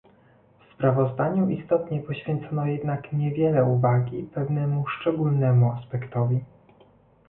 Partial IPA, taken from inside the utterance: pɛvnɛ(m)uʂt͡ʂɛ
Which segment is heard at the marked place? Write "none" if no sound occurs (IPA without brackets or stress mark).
m